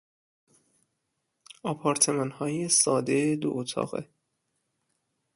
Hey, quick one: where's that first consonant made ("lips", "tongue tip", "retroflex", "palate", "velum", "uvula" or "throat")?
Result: lips